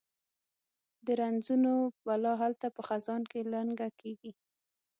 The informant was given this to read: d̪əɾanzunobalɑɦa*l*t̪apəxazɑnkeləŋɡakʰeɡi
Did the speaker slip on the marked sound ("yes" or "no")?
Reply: no